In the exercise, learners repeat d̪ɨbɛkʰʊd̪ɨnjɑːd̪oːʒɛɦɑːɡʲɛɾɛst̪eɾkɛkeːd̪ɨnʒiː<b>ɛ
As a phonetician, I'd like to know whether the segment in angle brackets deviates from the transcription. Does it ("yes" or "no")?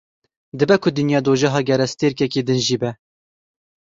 no